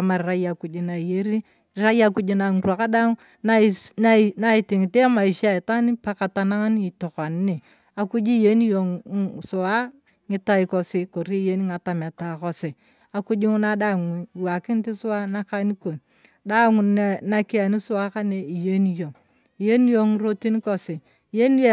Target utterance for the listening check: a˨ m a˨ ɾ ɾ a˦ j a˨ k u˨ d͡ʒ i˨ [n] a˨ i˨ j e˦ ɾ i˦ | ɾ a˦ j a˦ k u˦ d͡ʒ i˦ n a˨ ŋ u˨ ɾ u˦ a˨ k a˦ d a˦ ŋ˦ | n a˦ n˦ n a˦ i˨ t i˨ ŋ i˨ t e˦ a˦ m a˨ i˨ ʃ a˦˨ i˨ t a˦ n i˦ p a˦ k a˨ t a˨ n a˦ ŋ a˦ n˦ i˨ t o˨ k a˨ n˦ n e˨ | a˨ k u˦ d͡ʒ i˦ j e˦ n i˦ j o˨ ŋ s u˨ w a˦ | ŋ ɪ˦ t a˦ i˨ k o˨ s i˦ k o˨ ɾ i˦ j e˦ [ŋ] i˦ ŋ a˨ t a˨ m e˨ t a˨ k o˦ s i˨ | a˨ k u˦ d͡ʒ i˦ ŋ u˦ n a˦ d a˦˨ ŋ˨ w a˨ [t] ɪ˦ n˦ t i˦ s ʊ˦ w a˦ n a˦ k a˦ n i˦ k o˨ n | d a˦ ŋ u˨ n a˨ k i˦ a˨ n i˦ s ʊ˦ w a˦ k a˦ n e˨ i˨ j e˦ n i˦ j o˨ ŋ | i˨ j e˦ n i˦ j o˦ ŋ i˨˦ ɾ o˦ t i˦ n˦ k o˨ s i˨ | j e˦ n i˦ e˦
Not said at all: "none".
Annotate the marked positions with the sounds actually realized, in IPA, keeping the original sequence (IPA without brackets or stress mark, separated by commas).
n, n, k